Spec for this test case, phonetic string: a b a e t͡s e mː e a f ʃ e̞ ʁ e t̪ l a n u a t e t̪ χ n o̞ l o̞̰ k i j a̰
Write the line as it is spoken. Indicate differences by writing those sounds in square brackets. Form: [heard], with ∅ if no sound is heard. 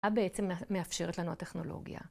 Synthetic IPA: a b [e] e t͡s e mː e a f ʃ e̞ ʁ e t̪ l a n u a t e [∅] χ n o̞ l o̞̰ [ɡ] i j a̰